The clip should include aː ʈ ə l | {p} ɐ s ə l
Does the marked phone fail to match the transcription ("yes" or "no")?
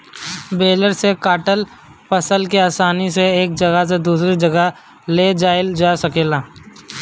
no